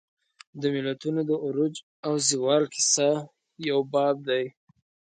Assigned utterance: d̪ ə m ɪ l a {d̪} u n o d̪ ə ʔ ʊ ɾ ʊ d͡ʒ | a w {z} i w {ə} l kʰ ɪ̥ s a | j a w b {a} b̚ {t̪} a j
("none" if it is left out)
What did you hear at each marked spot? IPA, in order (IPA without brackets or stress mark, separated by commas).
t̪, z, ɑ, ɑ, d̪